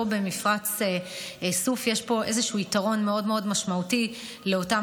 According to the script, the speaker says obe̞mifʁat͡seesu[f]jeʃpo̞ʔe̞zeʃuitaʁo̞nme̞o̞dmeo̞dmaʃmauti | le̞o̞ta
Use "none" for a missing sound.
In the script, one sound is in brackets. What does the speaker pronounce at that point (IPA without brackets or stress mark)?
f